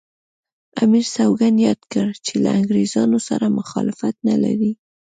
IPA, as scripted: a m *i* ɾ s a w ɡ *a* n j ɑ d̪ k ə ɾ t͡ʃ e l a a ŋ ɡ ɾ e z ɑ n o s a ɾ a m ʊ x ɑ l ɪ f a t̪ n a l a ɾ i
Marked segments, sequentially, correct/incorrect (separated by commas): correct, correct